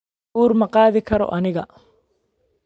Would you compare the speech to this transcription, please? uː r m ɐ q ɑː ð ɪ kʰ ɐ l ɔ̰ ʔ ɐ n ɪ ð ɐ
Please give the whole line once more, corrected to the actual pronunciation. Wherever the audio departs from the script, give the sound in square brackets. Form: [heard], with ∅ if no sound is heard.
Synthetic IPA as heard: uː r m ɐ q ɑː ð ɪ kʰ ɐ [ɾ] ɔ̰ ʔ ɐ n ɪ [ɣ] ɐ